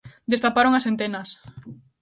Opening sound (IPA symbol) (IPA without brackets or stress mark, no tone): d̪